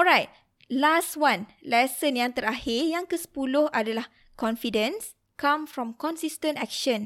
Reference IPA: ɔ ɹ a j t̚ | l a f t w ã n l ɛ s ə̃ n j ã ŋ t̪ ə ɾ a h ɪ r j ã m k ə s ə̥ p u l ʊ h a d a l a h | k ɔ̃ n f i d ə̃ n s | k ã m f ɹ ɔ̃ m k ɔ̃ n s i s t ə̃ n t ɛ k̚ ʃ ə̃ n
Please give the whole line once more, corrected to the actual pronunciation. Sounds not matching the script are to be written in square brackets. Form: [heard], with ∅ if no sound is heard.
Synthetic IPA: ɔ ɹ a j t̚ | l a [s] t w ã n l ɛ s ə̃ n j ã ŋ t̪ ə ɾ a h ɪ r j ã [ŋ] k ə s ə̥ p u l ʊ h a d a l a h | k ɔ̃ n f i d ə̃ n s | k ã m f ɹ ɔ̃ m k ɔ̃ n s i s t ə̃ n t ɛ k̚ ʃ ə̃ n